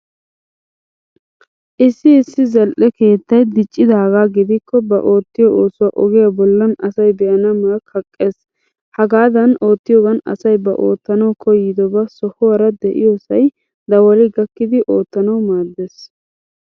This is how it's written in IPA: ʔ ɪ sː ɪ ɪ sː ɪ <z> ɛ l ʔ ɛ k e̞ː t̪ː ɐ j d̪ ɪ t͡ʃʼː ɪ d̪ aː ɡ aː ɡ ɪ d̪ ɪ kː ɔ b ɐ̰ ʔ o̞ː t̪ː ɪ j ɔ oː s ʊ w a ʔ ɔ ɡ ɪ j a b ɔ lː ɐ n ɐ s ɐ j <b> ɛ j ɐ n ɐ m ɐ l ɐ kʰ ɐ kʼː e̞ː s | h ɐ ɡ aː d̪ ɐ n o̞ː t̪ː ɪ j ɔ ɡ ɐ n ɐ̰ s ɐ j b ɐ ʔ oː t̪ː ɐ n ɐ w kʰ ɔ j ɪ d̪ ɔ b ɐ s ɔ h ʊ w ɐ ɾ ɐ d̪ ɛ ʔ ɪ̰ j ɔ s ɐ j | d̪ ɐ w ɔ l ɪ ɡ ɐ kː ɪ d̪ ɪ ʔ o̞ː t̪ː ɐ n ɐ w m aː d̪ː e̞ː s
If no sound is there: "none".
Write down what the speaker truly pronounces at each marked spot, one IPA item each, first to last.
z, b

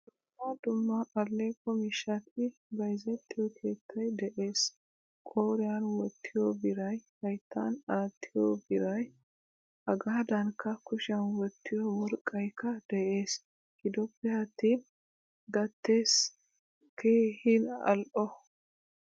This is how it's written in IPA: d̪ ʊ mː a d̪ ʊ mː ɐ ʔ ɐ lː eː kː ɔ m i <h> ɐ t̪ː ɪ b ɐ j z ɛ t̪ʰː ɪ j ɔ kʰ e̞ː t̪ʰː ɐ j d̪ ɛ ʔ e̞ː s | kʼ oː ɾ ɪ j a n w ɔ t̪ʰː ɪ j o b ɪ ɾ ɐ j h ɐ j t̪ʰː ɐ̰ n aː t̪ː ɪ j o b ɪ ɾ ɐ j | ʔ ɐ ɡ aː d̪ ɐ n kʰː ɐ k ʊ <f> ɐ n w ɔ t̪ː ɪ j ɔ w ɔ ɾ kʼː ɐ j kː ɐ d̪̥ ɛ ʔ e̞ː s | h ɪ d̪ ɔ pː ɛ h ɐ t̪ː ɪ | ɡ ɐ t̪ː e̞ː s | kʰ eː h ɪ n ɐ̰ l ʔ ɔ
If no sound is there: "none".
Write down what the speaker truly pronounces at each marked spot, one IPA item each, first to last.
ʃ, ʃ

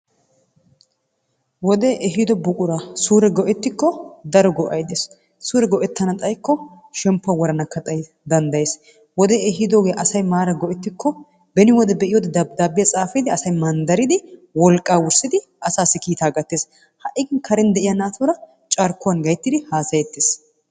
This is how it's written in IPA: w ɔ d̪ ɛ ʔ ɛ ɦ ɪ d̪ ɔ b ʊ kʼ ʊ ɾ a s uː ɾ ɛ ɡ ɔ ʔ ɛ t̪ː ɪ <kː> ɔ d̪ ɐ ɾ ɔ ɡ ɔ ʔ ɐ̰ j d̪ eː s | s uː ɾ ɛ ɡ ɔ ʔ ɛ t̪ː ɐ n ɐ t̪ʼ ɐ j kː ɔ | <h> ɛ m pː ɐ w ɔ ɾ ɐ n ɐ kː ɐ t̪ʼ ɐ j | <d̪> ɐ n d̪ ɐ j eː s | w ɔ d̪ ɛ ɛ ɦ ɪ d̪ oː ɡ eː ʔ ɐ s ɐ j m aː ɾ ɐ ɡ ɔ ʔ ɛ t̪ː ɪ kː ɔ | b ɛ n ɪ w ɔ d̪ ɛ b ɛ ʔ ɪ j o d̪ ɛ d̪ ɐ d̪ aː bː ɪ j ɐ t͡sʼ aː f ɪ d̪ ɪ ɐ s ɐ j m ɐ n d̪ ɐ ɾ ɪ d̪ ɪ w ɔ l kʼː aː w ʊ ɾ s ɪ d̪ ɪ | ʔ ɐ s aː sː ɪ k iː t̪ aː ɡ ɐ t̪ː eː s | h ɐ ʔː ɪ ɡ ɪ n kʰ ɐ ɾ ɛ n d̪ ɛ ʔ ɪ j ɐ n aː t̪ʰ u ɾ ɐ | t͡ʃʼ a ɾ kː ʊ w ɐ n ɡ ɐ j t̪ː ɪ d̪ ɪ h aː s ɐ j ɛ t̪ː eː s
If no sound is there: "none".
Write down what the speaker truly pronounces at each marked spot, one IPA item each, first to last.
kː, ʃ, d̪

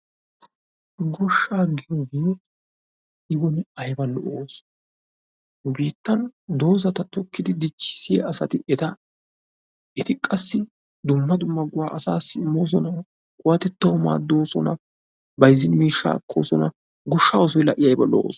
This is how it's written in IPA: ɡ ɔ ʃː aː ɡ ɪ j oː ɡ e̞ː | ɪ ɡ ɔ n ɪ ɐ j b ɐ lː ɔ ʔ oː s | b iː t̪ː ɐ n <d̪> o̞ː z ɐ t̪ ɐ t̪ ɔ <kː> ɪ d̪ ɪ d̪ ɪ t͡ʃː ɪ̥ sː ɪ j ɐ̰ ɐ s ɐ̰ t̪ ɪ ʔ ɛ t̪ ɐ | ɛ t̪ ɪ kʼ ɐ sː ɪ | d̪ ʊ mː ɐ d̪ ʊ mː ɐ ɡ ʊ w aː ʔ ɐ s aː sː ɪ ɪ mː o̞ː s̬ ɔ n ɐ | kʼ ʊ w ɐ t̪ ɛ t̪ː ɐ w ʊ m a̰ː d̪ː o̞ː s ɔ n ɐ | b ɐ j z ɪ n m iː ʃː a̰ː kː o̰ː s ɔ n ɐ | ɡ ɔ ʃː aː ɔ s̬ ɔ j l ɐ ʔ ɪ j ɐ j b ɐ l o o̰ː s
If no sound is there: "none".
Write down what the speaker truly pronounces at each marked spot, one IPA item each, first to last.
d̪, kː

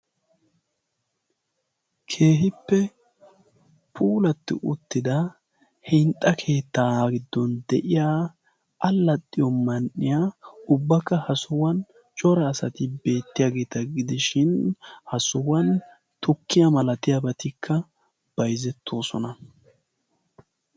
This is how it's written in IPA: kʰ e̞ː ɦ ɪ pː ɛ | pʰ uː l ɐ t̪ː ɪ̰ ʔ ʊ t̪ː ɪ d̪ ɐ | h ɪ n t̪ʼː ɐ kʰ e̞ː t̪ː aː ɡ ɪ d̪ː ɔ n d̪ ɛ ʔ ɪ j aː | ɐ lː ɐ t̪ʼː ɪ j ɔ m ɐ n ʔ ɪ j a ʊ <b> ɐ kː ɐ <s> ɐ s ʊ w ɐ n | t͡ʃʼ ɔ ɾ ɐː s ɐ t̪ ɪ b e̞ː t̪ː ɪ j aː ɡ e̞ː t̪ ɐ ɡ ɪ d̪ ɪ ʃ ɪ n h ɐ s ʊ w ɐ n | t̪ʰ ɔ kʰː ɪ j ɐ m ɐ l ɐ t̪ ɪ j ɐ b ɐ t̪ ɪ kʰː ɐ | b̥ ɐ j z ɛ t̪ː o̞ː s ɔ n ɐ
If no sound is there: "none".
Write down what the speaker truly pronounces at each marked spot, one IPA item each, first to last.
bː, h

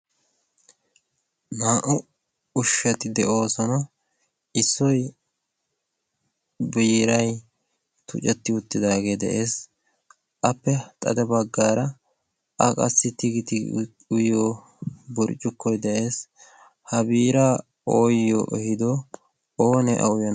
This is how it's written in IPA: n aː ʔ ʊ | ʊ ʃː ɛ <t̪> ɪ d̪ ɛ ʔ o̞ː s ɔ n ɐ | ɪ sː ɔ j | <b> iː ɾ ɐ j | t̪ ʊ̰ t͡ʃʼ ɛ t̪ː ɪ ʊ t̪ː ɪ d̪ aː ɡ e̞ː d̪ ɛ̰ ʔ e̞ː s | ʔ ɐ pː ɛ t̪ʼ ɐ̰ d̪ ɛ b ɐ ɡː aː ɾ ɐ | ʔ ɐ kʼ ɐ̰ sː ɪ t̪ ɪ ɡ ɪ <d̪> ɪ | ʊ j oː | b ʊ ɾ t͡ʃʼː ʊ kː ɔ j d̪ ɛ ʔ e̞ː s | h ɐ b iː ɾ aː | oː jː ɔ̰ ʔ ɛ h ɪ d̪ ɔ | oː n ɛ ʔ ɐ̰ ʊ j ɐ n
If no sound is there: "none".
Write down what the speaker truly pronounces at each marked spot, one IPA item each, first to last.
t̪, b, t̪

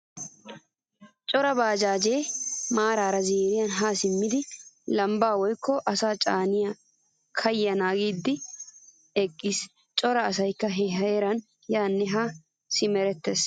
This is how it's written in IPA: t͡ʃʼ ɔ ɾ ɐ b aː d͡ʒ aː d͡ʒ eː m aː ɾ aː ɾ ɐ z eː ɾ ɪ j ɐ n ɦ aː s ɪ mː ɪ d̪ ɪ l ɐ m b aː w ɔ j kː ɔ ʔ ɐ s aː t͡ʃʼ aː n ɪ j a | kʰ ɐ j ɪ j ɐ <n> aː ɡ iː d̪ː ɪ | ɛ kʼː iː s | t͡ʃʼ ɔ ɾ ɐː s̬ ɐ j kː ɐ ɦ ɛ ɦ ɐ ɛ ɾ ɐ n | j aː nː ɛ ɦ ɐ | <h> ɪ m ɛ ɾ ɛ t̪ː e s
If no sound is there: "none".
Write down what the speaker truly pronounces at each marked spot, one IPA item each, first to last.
n, s

